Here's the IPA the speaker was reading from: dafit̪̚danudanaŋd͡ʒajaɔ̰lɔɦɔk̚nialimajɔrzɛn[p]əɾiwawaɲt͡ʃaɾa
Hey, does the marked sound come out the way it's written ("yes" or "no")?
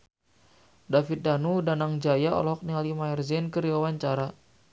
no